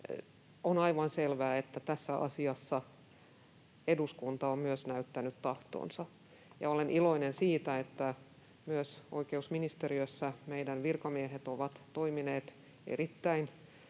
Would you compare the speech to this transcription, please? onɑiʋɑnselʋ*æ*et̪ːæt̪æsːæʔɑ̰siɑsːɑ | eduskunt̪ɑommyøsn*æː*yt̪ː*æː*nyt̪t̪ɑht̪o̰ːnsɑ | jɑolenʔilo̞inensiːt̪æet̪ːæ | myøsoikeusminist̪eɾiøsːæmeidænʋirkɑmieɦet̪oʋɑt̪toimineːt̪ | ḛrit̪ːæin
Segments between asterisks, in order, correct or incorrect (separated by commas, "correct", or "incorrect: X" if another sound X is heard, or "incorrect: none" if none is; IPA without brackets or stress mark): incorrect: æː, incorrect: æ, incorrect: æ